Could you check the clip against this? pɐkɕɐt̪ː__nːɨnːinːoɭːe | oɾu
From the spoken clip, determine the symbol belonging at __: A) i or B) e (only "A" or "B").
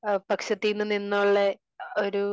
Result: A